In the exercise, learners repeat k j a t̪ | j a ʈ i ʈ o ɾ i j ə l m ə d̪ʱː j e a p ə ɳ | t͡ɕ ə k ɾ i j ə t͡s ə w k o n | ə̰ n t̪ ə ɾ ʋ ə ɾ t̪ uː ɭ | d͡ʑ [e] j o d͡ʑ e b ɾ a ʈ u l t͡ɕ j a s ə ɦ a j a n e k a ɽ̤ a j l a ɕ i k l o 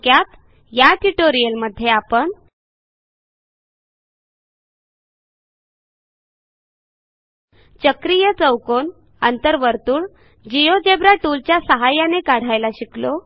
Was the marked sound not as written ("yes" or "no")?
yes